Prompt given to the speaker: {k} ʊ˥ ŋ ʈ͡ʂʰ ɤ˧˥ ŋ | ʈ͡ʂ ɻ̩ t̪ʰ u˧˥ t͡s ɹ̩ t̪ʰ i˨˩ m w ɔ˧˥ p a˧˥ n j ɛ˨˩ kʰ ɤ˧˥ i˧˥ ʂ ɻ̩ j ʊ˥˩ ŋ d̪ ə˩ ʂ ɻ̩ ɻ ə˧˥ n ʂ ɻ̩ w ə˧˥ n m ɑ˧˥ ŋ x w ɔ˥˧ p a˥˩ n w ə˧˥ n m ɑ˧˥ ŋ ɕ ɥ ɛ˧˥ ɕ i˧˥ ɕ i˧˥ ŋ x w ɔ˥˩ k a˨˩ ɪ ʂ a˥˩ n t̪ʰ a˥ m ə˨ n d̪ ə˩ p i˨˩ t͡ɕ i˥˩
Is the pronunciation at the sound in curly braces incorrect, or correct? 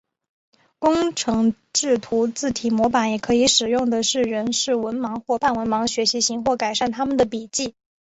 correct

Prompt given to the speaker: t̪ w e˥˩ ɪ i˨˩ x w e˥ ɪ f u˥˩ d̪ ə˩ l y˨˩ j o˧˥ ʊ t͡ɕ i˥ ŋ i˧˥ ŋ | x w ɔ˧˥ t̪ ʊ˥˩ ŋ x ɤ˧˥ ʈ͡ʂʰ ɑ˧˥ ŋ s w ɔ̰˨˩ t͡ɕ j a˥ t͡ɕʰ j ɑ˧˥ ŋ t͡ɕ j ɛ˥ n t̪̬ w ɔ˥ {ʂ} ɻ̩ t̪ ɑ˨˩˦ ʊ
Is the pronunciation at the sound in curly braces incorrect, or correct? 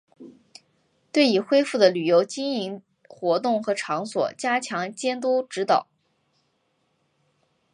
incorrect: ʈ͡ʂ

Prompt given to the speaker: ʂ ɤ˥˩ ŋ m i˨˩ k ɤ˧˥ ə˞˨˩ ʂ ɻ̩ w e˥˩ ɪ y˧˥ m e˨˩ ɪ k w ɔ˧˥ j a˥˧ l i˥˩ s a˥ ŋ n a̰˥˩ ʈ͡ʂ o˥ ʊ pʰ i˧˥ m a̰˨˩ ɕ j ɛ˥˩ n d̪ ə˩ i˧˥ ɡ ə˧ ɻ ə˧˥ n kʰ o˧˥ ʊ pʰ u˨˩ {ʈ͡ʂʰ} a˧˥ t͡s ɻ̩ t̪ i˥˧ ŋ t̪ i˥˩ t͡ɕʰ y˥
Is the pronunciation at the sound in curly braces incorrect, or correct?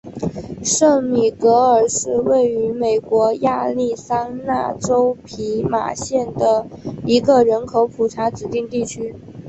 correct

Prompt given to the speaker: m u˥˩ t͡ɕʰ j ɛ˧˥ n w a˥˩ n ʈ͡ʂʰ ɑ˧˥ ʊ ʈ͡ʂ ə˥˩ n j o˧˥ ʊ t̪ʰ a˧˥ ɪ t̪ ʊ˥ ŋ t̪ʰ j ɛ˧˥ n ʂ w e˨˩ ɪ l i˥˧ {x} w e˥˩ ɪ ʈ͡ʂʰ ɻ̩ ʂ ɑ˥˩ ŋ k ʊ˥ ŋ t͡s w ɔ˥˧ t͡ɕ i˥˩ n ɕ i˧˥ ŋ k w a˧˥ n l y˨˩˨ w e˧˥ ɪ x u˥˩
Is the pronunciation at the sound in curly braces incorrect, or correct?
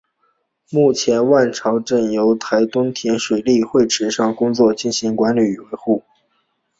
correct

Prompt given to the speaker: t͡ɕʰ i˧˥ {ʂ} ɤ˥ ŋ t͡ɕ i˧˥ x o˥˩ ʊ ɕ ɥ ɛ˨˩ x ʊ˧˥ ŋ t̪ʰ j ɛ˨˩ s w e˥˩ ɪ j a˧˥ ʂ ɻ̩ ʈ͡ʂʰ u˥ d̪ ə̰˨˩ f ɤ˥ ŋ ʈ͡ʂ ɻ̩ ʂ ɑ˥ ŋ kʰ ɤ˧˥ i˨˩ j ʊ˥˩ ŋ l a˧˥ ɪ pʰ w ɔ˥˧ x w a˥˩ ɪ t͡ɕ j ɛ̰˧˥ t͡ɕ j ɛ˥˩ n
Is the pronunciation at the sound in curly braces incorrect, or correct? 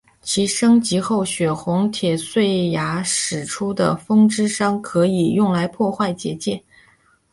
correct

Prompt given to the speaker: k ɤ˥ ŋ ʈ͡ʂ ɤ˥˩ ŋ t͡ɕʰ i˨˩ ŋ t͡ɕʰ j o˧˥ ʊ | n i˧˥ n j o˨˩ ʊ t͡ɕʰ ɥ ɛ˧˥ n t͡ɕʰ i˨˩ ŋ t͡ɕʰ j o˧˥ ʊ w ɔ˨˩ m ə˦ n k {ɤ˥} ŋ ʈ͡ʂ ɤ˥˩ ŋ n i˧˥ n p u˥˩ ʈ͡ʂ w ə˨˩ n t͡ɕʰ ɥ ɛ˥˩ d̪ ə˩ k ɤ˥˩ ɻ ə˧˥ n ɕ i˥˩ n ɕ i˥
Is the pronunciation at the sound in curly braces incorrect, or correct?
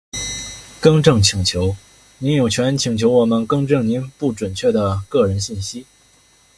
correct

